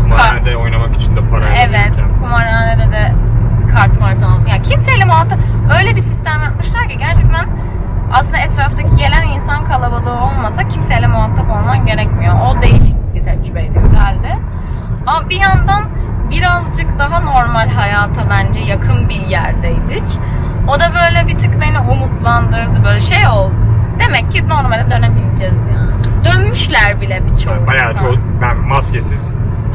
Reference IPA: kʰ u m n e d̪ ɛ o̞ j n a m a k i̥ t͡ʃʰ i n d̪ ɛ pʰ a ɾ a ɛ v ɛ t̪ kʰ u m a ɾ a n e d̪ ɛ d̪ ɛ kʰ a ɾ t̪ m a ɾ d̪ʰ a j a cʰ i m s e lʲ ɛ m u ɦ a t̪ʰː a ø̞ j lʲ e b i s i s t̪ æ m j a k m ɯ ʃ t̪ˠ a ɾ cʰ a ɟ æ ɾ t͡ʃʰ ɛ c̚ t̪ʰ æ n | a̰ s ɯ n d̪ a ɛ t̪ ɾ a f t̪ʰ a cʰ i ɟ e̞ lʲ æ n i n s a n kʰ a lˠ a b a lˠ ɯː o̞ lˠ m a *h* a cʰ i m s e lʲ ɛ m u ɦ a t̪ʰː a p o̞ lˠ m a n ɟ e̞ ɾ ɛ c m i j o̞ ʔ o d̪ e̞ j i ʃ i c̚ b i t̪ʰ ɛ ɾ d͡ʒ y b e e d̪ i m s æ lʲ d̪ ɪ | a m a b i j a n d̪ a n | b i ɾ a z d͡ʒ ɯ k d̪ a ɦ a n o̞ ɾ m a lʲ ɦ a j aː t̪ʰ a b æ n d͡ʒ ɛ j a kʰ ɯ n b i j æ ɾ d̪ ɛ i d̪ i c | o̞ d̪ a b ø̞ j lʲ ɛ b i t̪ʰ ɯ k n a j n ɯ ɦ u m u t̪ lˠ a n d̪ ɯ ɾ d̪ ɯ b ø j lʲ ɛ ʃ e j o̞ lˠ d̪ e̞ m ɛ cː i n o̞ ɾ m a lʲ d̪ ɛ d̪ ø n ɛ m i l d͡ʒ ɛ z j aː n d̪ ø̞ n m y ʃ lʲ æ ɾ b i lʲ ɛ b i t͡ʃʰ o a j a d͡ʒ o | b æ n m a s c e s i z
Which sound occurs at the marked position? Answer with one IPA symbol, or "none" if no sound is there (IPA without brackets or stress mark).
s